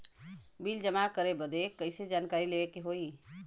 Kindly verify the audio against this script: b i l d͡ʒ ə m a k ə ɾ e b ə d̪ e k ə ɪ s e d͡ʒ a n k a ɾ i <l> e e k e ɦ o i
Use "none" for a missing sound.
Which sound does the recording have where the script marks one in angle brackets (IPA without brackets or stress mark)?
l